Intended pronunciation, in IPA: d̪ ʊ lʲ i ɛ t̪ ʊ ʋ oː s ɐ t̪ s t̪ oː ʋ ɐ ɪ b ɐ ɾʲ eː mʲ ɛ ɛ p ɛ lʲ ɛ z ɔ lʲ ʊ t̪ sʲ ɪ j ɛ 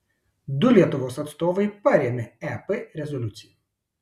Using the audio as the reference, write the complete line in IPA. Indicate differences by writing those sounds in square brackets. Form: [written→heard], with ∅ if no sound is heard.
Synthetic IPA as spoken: d̪ ʊ lʲ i ɛ t̪ ʊ ʋ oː s ɐ t̪ s t̪ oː ʋ ɐ ɪ [b→p] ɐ ɾʲ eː mʲ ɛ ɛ p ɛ [lʲ→ɾʲ] ɛ z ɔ lʲ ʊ t̪ sʲ ɪ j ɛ